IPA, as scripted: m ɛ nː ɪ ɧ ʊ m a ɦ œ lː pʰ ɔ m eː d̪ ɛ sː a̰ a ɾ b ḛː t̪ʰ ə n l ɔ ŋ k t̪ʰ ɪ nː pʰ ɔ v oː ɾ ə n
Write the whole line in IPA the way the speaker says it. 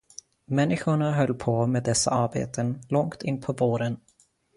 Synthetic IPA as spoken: m ɛ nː ɪ ɧ ʊ ɳ a ɦ œ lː pʰ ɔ m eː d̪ ɛ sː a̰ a ɾ b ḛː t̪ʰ ə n l ɔ ŋ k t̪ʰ ɪ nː pʰ ɔ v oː ɾ ə n